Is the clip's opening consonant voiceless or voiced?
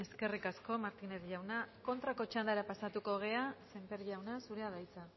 voiceless